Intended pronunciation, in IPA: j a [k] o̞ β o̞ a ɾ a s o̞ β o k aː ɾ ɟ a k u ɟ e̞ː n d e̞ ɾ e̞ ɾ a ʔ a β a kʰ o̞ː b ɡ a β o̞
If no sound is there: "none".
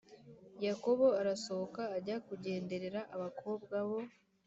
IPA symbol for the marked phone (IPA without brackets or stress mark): k